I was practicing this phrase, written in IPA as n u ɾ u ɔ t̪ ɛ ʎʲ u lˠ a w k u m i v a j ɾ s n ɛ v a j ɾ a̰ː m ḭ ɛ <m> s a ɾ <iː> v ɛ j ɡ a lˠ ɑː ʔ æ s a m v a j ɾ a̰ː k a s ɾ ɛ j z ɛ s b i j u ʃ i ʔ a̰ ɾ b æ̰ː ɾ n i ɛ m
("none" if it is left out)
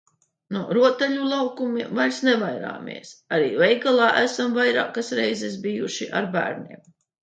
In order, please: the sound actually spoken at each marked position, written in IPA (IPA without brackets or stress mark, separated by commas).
none, iː